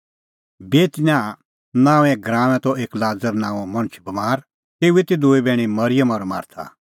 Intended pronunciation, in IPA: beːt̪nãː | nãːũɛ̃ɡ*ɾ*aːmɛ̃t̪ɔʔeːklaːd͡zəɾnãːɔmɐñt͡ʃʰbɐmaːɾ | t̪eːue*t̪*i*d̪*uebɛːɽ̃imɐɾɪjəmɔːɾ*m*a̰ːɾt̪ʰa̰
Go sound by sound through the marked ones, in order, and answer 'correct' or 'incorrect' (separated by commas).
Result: correct, correct, correct, correct